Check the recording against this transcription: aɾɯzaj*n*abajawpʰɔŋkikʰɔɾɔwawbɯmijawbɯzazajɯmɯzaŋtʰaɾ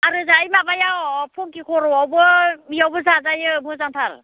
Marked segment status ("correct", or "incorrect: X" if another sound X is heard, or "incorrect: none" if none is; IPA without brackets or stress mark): incorrect: m